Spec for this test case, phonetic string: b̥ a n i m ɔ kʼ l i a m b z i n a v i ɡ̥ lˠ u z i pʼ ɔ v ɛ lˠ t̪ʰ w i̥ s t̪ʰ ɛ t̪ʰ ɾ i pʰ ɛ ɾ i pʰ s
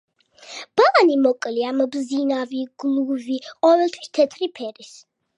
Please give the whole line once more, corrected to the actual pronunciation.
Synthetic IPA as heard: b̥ a n i m ɔ kʼ l i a m b z i n a v i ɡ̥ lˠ u v i qʼ ɔ v ɛ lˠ t̪ʰ w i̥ s t̪ʰ ɛ t̪ʰ ɾ i pʰ ɛ ɾ i s